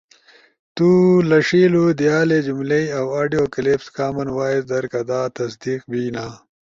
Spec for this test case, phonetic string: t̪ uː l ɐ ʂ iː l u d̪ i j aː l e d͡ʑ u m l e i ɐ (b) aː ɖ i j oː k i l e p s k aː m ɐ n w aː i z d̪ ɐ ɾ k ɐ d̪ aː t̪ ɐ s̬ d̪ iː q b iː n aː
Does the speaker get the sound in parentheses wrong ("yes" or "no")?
yes